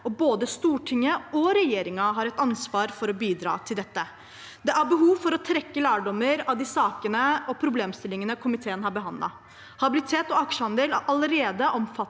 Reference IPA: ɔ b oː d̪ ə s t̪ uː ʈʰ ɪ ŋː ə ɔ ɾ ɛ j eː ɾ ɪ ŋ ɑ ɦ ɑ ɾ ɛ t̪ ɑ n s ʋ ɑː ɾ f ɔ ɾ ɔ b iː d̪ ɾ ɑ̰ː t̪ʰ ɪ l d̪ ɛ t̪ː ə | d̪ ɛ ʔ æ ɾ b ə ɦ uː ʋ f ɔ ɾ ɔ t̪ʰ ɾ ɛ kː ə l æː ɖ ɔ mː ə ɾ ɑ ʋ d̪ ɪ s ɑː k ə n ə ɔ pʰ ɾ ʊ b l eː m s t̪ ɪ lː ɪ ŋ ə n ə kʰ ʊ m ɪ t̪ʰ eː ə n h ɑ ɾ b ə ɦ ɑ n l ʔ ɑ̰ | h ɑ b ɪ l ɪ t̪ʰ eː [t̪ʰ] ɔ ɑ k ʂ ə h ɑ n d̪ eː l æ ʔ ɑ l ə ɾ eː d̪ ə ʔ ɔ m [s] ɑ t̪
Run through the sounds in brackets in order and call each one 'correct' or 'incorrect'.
incorrect, incorrect

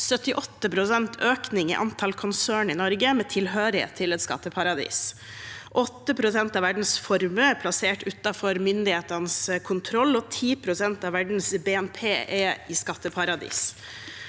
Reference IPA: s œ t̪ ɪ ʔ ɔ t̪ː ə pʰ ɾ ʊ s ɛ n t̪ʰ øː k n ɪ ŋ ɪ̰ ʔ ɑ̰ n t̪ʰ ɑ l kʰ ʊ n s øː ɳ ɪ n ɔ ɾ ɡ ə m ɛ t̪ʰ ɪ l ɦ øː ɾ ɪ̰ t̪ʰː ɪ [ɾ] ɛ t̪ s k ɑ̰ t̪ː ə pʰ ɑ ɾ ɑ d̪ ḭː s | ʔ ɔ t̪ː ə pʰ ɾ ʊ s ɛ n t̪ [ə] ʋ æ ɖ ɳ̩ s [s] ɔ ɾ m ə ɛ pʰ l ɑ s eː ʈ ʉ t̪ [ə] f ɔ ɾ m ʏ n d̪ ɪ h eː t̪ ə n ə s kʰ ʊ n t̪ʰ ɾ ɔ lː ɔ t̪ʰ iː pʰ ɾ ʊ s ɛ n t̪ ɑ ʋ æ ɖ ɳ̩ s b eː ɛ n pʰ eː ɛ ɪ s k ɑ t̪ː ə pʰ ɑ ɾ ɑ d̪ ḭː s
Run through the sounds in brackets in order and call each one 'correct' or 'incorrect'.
incorrect, incorrect, incorrect, incorrect

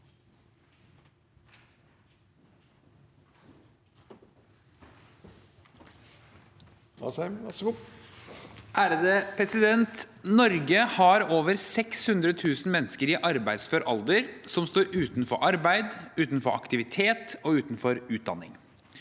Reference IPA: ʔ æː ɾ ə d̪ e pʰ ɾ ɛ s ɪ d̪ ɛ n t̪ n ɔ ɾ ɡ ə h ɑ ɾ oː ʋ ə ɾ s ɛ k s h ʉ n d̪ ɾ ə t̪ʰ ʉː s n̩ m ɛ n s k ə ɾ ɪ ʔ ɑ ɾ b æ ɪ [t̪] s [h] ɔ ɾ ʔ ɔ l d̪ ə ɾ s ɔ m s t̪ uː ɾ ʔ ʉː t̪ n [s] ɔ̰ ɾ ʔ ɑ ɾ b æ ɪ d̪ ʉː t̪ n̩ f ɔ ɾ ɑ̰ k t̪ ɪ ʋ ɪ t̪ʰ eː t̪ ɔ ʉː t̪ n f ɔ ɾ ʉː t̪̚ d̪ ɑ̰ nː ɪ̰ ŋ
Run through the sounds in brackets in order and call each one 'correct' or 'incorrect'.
incorrect, incorrect, incorrect

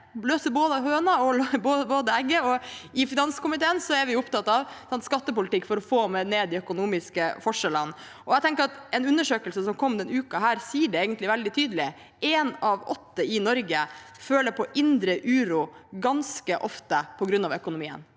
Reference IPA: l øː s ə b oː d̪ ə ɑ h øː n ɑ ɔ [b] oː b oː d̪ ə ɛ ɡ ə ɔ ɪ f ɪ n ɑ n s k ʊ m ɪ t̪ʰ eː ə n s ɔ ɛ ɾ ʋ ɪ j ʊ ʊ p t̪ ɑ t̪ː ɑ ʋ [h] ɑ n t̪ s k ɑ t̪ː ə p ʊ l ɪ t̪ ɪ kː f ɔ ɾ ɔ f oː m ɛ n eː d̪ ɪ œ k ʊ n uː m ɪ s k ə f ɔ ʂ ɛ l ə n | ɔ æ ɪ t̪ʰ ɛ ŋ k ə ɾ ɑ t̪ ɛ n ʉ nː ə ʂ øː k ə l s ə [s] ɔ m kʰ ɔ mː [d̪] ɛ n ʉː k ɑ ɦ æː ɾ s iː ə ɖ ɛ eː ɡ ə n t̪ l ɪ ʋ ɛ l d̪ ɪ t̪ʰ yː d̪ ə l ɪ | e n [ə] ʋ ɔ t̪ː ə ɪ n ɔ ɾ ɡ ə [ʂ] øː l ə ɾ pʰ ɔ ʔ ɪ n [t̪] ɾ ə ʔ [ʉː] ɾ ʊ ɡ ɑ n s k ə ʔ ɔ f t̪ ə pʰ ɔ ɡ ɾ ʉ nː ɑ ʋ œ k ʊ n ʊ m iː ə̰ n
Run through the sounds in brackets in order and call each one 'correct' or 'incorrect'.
correct, incorrect, correct, correct, incorrect, incorrect, incorrect, correct

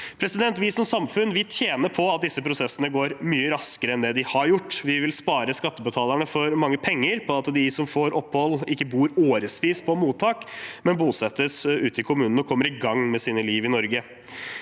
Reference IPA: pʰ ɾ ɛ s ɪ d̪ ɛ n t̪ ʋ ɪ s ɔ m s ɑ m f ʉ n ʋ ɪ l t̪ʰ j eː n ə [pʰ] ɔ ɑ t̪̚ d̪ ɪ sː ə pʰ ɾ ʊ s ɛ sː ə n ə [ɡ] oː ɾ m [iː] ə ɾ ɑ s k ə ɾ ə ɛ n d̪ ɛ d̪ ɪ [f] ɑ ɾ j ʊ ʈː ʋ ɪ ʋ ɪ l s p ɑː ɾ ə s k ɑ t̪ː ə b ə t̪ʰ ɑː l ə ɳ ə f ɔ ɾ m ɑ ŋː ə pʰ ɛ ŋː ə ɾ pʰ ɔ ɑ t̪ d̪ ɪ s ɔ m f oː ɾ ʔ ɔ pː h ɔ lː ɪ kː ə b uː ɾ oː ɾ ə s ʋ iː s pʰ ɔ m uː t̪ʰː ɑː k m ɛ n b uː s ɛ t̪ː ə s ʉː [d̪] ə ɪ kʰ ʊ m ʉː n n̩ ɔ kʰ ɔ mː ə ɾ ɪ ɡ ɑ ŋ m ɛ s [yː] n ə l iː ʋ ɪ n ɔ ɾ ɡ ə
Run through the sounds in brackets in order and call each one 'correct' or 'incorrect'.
correct, correct, incorrect, incorrect, incorrect, incorrect

